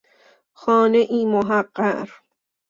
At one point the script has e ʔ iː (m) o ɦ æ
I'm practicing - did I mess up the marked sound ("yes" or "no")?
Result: no